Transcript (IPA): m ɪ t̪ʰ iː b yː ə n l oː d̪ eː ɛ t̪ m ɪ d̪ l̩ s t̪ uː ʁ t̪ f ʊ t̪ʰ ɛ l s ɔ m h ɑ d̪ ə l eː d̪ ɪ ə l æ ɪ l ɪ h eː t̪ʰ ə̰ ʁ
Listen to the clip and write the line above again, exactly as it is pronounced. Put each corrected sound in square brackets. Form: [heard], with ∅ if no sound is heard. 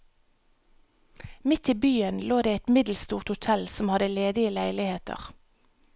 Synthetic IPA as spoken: m ɪ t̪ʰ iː b yː ə n l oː d̪ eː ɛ t̪ m ɪ d̪ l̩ s t̪ uː ʁ t̪ [h] ʊ t̪ʰ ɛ l s ɔ m h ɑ d̪ ə l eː d̪ ɪ ə l æ ɪ l ɪ h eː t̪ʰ ə̰ ʁ